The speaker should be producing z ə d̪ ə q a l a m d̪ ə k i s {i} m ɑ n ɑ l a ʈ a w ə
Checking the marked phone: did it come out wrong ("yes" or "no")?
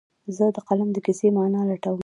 yes